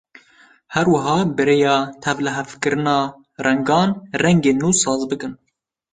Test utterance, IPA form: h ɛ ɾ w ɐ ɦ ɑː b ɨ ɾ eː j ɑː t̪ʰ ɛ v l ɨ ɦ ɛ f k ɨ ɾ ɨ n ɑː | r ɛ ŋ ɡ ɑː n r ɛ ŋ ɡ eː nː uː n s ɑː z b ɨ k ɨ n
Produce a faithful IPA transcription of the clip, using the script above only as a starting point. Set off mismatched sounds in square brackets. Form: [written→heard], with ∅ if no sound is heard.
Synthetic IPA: h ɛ ɾ w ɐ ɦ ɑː b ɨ ɾ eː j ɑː t̪ʰ ɛ v l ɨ ɦ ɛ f k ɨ ɾ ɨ n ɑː | r ɛ ŋ ɡ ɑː n r ɛ ŋ ɡ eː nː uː [n→∅] s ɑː z b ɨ k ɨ n